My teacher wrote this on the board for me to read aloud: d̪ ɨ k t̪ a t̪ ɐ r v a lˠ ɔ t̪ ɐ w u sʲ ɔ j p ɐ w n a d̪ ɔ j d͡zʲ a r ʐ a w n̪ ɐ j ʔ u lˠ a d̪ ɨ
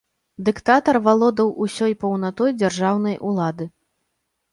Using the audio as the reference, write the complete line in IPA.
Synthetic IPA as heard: d̪ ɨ k t̪ a t̪ ɐ r v a lˠ ɔ d̪ ɐ w u sʲ ɔ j p ɐ w n a t̪ ɔ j d͡zʲ a r ʐ a w n̪ ɐ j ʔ u lˠ a d̪ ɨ